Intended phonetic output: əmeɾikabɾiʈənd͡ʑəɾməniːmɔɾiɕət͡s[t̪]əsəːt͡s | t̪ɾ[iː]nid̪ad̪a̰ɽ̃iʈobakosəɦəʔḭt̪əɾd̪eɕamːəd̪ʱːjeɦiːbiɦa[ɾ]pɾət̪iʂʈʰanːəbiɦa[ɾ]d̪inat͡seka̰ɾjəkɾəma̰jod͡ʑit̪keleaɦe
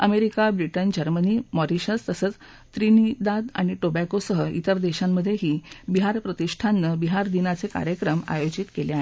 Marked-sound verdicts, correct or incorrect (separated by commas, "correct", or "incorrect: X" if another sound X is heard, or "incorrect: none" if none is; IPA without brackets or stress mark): correct, incorrect: i, correct, correct